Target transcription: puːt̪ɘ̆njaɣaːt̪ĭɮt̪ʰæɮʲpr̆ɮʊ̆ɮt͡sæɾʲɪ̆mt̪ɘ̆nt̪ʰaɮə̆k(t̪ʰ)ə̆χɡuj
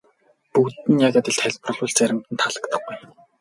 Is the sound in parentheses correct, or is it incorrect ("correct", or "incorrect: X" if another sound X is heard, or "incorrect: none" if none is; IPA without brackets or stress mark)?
incorrect: t̪